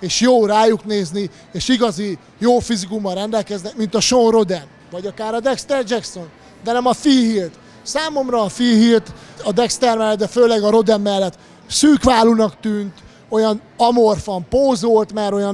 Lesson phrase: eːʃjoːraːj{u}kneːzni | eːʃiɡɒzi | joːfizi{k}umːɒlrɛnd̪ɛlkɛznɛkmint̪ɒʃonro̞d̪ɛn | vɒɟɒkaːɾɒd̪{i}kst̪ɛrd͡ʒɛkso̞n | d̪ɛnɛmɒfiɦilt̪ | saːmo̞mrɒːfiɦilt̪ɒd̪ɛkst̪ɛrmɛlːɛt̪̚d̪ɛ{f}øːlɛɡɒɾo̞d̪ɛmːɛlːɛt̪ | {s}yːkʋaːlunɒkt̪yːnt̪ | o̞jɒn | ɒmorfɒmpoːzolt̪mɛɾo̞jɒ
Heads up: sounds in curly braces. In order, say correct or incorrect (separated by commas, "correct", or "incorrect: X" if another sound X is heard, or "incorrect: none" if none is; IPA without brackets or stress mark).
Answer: correct, correct, incorrect: ɛ, correct, correct